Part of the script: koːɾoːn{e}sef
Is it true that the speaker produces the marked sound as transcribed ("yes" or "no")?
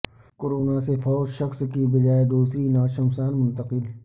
no